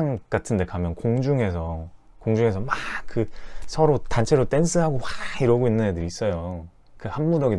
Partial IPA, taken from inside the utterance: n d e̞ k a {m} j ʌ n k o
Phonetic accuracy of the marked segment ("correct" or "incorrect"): correct